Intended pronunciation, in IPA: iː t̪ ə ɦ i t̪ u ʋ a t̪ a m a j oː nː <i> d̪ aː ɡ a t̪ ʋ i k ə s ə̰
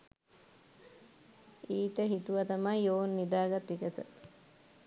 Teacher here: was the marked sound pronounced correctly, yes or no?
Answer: yes